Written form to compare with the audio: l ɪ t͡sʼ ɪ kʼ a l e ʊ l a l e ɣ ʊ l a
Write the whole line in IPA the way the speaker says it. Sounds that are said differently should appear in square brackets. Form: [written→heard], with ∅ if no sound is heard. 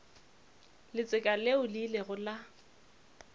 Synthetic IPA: l ɪ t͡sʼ ɪ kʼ a l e ʊ l [a→i] l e ɣ ʊ l a